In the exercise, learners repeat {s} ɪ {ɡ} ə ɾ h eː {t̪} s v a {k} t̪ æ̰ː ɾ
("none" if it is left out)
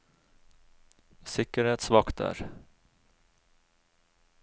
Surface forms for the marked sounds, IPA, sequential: s, k, t̪, k

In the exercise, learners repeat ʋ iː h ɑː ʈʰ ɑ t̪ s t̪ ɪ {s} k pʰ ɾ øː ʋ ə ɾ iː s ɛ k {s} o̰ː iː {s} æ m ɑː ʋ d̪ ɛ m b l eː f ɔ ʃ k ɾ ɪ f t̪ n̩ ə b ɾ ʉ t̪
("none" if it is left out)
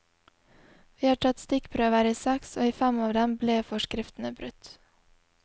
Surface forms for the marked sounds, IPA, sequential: none, s, f

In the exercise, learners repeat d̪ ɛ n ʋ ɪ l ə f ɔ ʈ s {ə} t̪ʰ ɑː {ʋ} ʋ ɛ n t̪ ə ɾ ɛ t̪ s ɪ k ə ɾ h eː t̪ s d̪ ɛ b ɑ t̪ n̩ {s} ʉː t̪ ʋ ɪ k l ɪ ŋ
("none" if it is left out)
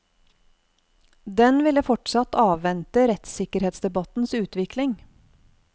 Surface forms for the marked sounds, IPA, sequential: ɑ, ʋ, s

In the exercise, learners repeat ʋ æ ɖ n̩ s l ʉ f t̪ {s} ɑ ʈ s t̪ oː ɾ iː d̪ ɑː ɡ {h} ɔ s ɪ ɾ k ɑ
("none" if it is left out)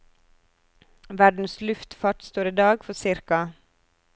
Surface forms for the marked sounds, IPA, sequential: f, f

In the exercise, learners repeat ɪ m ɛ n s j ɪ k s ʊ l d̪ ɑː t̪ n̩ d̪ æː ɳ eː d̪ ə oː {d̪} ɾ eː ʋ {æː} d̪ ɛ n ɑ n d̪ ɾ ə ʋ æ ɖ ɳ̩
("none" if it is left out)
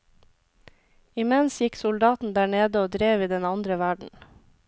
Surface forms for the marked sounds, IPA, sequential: d̪, iː

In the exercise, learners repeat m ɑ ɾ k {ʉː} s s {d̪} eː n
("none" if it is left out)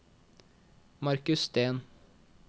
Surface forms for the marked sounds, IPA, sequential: ʉ, t̪

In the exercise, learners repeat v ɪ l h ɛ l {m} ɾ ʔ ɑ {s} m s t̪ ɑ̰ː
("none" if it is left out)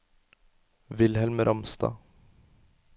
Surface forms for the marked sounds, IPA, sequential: m, none

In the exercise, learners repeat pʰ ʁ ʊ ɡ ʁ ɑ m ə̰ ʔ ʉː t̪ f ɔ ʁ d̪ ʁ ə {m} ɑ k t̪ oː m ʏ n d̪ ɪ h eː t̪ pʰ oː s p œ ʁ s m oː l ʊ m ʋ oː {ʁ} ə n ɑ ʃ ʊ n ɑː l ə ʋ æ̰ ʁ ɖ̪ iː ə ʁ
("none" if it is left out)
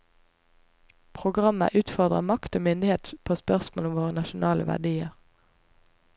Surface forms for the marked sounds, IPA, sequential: m, ʁ

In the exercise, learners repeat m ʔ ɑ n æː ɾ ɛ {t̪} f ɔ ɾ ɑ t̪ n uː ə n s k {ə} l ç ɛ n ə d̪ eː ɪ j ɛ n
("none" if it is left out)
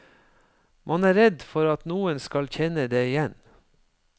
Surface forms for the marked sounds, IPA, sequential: d̪, ɑ

